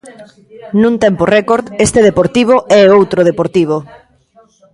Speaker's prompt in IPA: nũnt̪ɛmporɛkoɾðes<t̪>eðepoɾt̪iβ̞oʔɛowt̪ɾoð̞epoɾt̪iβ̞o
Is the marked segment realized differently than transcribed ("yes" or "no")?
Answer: no